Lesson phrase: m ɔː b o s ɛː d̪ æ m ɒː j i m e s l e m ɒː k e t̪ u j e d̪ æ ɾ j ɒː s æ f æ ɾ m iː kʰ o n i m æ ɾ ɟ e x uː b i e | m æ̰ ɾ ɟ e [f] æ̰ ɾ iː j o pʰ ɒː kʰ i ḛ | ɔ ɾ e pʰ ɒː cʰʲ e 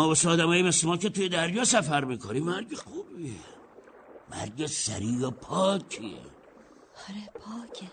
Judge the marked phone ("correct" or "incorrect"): incorrect